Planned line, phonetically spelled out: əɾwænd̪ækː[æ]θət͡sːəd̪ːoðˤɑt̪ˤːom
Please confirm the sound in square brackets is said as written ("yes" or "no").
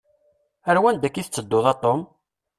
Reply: no